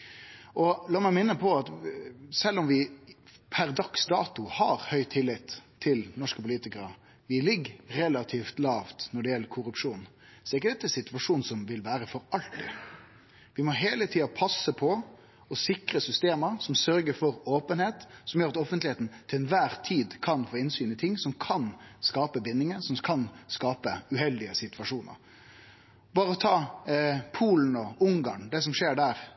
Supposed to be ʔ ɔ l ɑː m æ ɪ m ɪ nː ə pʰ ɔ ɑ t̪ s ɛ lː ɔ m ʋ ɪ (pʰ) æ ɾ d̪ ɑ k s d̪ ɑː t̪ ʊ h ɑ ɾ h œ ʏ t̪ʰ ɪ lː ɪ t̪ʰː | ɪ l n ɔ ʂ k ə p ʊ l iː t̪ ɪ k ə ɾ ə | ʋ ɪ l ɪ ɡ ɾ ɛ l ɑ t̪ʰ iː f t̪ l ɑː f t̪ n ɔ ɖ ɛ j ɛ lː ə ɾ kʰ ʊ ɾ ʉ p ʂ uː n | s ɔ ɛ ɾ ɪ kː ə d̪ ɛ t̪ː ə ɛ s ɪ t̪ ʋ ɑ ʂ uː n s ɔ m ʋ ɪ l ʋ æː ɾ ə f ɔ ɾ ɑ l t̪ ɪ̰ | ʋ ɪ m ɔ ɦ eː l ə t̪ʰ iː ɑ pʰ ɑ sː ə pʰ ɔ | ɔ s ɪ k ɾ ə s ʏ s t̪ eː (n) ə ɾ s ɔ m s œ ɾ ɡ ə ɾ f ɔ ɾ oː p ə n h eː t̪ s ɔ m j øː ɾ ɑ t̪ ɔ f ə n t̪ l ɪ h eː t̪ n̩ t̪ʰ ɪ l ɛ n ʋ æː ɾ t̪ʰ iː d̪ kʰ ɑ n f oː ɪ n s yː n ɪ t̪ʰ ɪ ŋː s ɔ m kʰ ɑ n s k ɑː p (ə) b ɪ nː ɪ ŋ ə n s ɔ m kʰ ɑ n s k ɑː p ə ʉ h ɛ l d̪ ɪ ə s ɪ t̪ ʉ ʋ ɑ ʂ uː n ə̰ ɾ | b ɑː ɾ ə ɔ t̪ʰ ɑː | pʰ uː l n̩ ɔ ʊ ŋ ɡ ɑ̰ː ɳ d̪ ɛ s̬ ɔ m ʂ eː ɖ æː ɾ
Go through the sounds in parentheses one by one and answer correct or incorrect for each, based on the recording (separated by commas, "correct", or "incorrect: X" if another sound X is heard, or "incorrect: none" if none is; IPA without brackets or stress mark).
correct, incorrect: m, correct